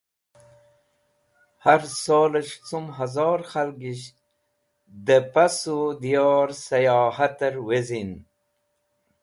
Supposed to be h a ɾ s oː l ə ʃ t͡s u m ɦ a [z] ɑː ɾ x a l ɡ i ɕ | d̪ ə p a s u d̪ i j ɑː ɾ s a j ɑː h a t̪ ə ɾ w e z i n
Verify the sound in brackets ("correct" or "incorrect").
correct